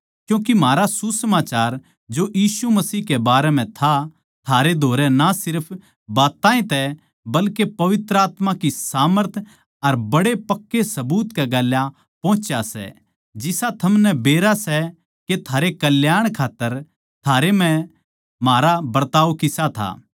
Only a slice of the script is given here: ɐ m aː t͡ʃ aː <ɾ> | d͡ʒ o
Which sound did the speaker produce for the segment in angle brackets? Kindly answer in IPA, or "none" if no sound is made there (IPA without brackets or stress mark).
ɾ